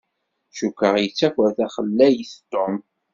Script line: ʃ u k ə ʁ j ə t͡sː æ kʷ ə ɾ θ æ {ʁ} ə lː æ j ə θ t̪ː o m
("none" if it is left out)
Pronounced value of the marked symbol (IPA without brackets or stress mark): χ